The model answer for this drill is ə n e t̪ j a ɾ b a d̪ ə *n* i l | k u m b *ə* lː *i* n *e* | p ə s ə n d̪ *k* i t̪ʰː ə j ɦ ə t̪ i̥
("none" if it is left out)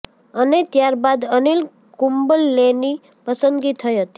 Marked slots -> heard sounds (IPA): n, ə, e, i, ɡ

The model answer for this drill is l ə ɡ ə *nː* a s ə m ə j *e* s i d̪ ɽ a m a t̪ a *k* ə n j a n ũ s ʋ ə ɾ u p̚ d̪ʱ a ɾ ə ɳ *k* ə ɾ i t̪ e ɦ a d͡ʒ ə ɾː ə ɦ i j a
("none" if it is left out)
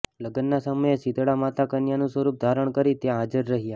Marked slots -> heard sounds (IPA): nː, e, k, k

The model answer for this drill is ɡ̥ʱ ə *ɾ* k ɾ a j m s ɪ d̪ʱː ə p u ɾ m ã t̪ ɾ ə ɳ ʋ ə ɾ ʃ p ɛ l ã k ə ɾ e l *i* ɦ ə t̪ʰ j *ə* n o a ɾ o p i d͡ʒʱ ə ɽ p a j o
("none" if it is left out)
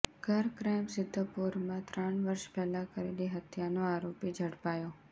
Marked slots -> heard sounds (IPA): ɾ, i, a

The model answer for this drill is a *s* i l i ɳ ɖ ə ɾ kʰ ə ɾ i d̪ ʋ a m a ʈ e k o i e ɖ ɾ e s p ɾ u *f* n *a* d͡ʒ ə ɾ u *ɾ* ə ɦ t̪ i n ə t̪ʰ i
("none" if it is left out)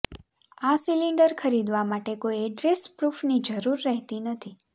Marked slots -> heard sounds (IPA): s, f, i, ɾː

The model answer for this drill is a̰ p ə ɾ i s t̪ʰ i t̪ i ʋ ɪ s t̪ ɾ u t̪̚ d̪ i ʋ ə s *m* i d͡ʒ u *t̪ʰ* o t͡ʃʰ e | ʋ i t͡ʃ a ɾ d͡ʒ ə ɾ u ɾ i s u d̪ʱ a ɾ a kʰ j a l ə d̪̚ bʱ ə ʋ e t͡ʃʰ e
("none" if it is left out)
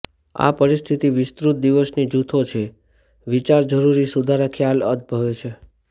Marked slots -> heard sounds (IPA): n, t̪ʰ

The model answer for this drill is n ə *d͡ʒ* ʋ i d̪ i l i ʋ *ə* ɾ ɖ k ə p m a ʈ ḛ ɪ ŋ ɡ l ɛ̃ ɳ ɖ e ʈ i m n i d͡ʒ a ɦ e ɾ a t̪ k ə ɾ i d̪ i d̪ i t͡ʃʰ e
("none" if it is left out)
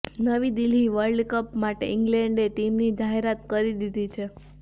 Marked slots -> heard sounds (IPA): none, ə

